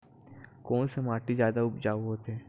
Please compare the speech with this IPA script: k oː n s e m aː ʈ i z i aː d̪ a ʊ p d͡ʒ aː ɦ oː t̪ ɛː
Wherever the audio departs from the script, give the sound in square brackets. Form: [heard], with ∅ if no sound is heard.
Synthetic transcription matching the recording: k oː n s e m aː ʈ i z [j] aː d̪ a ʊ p d͡ʒ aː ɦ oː t̪ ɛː